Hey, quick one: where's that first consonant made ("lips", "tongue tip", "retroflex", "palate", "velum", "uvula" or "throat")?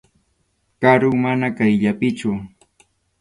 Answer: velum